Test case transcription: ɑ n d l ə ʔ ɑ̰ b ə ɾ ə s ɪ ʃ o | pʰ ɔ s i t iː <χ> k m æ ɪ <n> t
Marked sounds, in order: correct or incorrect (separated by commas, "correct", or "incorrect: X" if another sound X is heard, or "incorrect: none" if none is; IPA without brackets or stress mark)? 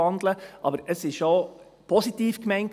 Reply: incorrect: f, correct